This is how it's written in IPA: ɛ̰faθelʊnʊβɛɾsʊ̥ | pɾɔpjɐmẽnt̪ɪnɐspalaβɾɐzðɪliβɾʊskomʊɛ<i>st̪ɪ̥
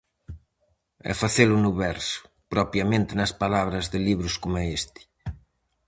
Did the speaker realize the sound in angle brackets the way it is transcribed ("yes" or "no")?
no